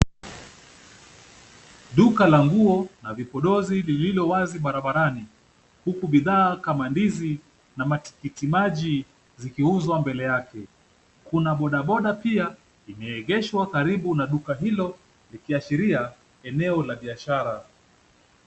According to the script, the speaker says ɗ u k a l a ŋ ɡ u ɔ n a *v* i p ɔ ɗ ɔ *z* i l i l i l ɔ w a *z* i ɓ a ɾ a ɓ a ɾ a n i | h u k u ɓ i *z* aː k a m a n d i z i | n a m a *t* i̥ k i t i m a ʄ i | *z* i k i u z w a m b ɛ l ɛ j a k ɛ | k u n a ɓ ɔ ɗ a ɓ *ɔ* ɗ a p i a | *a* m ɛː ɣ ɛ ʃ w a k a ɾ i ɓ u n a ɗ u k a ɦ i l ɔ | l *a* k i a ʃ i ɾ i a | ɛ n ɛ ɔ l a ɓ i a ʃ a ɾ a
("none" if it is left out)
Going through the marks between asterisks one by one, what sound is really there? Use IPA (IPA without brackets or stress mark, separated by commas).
v, z, z, ð, t, z, ɔ, i, i